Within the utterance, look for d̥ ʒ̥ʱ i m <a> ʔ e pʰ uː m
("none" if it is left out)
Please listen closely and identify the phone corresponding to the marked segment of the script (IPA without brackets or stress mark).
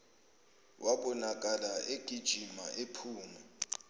a